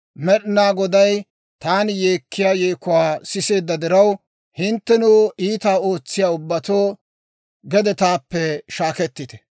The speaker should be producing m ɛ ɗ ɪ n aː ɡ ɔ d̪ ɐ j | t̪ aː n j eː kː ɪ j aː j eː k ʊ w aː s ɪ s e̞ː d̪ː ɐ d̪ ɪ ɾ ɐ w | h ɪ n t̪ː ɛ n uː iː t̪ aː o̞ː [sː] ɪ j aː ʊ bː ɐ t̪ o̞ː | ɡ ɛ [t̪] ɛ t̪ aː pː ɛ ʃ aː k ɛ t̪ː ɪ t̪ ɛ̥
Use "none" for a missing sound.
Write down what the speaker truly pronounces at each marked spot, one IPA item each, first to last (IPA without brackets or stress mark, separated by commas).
t͡sː, d̪